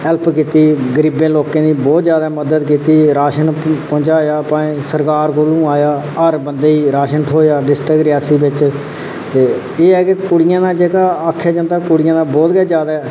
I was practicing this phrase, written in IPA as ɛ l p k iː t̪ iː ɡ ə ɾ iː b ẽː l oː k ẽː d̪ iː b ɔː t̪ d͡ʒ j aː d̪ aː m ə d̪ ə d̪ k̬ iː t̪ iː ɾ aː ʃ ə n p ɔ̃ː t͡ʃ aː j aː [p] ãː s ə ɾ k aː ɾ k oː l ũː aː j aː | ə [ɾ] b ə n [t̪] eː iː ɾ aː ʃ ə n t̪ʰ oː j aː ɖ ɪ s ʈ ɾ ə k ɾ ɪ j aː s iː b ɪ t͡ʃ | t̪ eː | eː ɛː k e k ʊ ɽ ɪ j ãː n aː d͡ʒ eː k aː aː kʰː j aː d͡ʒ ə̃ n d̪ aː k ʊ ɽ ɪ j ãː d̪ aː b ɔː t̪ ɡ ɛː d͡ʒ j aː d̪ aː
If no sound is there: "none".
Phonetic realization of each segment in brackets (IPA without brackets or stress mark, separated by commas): p, ɾ, d̪